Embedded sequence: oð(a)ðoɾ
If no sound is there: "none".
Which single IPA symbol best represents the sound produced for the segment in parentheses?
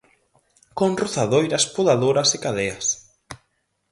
a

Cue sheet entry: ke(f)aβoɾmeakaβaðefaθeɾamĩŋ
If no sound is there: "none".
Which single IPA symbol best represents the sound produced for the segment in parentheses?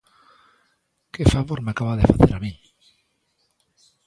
f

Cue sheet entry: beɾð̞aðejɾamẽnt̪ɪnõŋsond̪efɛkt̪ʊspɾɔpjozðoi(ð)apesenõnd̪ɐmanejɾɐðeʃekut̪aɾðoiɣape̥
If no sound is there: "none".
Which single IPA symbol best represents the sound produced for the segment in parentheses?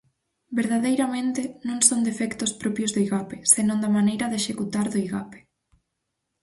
ɣ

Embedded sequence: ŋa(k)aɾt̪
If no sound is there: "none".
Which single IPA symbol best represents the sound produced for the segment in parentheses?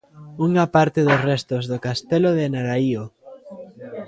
p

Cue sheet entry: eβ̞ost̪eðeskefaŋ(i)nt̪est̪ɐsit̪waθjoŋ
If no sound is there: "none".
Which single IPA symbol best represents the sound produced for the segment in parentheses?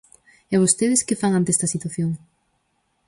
a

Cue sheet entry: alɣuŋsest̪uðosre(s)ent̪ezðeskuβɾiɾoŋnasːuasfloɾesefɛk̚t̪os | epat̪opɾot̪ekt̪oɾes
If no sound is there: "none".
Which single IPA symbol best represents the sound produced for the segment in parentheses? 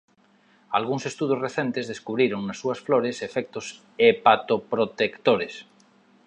θ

